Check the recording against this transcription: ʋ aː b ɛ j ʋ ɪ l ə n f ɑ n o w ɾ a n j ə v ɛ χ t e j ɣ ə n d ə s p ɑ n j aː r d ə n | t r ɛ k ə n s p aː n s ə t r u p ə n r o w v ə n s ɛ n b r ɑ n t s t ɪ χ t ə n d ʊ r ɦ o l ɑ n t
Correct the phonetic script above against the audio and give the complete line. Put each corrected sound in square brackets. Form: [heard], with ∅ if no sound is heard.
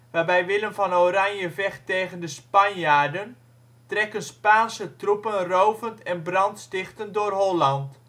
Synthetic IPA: ʋ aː b ɛ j ʋ ɪ l ə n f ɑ n o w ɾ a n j ə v ɛ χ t e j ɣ ə n d ə s p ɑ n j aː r d ə n | t r ɛ k ə n s p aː n s ə t r u p ə n r o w v ə n [t] ɛ n b r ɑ n t s t ɪ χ t ə n d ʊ r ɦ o l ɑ n t